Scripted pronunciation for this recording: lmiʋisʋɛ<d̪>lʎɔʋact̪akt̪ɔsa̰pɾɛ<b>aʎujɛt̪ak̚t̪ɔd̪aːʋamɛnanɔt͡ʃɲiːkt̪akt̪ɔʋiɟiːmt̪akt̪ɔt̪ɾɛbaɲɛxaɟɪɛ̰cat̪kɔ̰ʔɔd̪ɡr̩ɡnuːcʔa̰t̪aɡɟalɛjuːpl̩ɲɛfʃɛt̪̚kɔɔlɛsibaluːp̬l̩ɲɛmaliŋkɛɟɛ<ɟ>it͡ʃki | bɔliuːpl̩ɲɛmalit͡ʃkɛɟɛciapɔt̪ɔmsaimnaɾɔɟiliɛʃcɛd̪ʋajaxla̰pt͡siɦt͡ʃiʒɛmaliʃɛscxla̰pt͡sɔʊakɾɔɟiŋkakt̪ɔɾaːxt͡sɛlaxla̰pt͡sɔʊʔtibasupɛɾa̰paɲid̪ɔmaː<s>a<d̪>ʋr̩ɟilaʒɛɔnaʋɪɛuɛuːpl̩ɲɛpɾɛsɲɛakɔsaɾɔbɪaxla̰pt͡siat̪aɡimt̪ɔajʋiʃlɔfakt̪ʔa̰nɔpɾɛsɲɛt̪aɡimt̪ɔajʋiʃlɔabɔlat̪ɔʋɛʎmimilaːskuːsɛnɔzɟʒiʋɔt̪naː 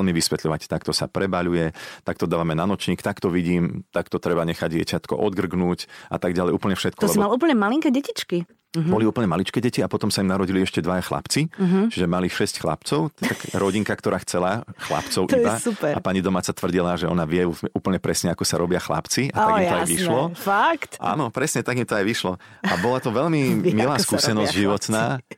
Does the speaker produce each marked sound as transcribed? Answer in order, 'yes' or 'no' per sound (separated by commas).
no, yes, no, no, no